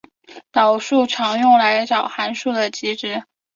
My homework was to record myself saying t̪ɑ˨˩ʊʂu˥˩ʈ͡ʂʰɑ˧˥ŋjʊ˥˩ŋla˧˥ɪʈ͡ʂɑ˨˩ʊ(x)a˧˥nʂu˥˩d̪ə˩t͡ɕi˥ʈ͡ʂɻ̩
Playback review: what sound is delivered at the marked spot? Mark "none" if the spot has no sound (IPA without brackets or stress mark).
x